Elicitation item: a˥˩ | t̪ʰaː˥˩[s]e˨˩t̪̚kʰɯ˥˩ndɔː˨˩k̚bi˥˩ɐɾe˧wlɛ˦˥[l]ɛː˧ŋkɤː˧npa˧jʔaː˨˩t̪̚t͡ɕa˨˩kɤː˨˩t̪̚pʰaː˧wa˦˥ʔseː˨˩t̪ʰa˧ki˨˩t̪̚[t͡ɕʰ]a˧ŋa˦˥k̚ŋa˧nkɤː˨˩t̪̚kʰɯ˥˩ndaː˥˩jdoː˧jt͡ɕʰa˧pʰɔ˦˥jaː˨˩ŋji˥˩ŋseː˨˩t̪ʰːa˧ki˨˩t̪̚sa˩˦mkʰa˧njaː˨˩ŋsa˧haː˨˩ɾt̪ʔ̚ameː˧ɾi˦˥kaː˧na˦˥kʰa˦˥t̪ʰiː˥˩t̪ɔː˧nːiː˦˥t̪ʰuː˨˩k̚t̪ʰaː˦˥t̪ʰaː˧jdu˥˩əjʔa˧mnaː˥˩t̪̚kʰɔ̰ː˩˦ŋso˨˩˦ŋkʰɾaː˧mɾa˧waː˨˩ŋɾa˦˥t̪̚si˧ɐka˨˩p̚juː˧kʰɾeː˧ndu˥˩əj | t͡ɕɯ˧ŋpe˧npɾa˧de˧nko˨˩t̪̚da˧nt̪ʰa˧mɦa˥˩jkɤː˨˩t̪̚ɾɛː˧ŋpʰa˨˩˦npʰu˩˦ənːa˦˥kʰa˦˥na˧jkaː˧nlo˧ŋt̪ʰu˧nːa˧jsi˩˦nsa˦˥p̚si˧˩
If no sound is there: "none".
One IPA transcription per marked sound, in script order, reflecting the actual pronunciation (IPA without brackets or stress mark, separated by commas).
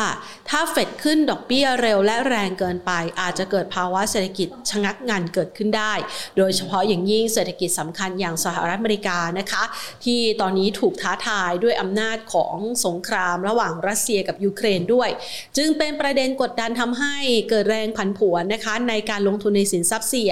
f, ɾ, t͡ɕʰ